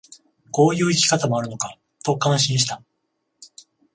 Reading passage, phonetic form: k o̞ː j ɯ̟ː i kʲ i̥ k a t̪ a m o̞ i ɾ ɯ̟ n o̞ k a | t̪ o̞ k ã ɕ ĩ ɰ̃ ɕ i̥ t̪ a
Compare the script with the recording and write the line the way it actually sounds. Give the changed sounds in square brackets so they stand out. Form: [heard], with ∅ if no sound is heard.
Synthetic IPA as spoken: k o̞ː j ɯ̟ː i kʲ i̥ k a t̪ a m o̞ [a] ɾ ɯ̟ n o̞ k a | t̪ o̞ k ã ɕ ĩ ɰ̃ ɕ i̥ t̪ a